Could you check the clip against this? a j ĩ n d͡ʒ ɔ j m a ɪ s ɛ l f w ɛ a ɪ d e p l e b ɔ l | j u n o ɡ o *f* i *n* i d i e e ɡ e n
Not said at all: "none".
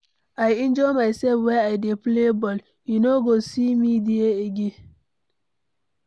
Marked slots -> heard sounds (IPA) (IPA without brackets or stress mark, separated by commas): s, m